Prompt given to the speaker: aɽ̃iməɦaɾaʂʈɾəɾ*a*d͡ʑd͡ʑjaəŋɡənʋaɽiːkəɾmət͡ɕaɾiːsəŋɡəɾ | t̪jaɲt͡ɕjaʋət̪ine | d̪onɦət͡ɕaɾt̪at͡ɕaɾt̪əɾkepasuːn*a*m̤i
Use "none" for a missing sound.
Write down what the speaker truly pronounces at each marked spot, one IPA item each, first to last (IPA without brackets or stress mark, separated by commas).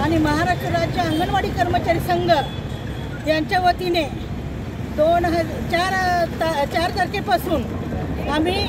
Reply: a, a